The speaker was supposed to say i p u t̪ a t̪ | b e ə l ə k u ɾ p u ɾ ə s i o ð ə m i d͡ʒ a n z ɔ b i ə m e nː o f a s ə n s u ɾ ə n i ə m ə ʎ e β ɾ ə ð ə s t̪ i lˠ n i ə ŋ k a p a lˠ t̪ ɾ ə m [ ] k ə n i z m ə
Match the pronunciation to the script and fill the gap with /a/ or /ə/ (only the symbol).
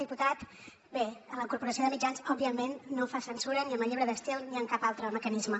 ə